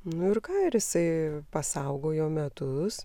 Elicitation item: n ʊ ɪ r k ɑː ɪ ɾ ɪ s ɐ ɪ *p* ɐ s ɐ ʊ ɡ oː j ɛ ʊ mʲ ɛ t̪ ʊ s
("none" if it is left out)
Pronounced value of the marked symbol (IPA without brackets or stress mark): p